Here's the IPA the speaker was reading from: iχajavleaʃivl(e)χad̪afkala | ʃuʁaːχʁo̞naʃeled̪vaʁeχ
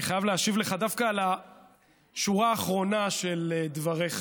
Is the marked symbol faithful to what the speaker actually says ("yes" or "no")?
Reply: yes